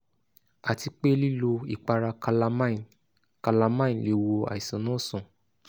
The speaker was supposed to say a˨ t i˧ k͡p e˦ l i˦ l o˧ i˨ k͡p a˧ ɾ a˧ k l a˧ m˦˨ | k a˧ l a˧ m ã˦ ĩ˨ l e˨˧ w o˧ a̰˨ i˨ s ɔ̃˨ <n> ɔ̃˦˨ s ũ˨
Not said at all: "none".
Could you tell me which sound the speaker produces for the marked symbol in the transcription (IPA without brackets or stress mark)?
n